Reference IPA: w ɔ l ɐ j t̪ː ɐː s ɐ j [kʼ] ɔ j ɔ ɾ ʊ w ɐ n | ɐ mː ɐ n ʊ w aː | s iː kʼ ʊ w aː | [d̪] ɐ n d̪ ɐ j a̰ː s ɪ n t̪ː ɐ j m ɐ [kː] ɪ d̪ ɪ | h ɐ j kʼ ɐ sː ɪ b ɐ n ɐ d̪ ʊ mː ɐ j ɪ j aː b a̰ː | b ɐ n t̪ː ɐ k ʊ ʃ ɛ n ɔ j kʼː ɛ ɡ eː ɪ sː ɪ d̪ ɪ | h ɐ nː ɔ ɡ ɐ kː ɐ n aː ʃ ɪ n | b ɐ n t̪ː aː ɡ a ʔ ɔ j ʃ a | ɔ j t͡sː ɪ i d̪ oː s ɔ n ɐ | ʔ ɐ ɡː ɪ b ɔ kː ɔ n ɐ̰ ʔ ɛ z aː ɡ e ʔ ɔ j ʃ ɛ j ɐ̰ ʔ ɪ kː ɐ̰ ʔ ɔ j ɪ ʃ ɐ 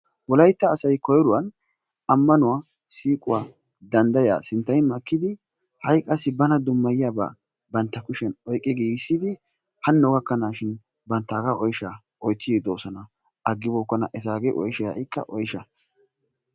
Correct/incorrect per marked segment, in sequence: incorrect: k, correct, correct

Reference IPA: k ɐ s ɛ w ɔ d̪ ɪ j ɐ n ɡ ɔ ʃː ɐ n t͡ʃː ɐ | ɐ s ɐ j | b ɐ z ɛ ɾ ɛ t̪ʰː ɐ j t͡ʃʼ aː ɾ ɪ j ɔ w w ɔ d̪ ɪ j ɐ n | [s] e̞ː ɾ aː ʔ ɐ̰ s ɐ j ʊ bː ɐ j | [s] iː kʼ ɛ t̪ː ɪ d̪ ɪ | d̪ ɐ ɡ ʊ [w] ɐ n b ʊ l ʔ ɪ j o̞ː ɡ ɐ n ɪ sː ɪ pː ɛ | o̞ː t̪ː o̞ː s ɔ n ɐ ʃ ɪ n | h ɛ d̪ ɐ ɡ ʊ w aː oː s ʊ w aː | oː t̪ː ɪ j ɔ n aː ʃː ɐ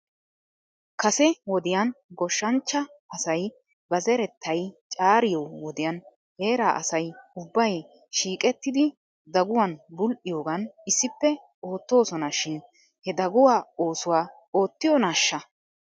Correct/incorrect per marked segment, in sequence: incorrect: h, incorrect: ʃ, correct

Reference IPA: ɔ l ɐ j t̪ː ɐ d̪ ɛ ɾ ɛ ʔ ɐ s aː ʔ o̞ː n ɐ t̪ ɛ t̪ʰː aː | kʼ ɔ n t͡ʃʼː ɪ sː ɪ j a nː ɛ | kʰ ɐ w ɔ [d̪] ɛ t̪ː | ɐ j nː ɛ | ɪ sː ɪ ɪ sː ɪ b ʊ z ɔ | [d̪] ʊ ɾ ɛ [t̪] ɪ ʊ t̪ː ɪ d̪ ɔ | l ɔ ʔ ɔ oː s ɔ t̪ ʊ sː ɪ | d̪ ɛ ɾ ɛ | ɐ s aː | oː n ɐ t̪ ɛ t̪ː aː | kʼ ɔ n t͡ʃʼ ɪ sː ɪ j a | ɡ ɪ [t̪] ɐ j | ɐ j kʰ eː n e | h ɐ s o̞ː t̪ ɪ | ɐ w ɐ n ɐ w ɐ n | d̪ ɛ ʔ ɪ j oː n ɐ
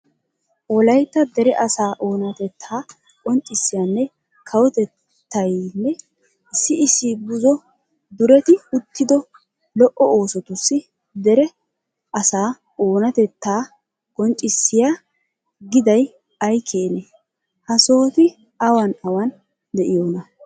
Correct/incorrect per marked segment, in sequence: incorrect: t̪, correct, correct, incorrect: d̪

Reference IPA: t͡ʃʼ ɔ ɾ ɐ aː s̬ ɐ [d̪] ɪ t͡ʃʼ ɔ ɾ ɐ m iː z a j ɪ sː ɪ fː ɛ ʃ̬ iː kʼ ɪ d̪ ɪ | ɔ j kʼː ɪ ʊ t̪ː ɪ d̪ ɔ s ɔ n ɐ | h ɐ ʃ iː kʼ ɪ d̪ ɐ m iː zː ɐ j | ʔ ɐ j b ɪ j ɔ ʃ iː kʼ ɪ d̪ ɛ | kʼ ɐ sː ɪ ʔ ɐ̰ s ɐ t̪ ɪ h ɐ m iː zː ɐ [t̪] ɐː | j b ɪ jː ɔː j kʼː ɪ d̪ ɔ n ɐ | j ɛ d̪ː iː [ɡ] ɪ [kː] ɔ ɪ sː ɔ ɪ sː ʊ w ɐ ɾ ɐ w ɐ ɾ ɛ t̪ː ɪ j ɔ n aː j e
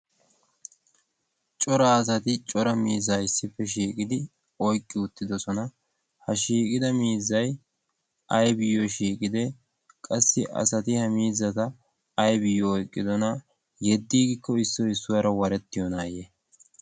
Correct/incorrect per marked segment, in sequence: incorrect: t̪, correct, correct, correct

